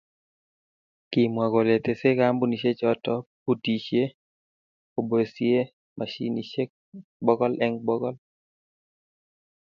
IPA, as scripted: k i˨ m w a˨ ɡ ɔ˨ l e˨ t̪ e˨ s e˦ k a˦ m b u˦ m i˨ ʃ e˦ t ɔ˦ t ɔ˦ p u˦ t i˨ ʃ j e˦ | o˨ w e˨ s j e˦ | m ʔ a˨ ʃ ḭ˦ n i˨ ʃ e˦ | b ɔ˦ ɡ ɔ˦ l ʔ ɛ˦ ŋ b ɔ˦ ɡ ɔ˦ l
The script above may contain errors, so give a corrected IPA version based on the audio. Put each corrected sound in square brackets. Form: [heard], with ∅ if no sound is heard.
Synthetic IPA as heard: k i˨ m w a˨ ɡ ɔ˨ l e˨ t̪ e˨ s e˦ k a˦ m b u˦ [n] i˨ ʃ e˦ [t͡ʃ] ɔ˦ t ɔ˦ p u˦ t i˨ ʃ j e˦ | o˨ [b] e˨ s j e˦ | m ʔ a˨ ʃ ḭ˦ n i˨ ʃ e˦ | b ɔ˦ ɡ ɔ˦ l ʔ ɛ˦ ŋ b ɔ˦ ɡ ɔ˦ l